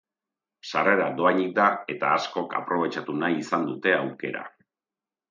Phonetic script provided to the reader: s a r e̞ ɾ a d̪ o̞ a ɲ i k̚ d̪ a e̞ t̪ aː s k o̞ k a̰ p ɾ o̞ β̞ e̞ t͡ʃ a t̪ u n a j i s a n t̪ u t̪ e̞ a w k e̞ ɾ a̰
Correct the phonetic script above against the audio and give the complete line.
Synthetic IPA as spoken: s a r e̞ ɾ a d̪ o̞ a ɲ i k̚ d̪ a e̞ t̪ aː s k o̞ k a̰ p ɾ o̞ β̞ e̞ t͡ʃ a t̪ u n a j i s a n d̪ u t̪ e̞ a w k e̞ ɾ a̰